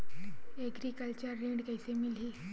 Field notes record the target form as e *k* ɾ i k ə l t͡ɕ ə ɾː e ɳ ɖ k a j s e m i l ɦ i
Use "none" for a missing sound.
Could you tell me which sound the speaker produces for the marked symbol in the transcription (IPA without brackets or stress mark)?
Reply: ɡ